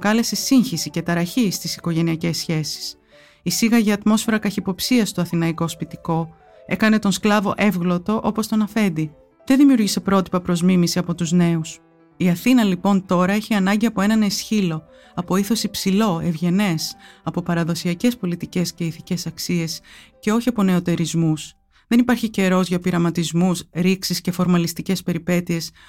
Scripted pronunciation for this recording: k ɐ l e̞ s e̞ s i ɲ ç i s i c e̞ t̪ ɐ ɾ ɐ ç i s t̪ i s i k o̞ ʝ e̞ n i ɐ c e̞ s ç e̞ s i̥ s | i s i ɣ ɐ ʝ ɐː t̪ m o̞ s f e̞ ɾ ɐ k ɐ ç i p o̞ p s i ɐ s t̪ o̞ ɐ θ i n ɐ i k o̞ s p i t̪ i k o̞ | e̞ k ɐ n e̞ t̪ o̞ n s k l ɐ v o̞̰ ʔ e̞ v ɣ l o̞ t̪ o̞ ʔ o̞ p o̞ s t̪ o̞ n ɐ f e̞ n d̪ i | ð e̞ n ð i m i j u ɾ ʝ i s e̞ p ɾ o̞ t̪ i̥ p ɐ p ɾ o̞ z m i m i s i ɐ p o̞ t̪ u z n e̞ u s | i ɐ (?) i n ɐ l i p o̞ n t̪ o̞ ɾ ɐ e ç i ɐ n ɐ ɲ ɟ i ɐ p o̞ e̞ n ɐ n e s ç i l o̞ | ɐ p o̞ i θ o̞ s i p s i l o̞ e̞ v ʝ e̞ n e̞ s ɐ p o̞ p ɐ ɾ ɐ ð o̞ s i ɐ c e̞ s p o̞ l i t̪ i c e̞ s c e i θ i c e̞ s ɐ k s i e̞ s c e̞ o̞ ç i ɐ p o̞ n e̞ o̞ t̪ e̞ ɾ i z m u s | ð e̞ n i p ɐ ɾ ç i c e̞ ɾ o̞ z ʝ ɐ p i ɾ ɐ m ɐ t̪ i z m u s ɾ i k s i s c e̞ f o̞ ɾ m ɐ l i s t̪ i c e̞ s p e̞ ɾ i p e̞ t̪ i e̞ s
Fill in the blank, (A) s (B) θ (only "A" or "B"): B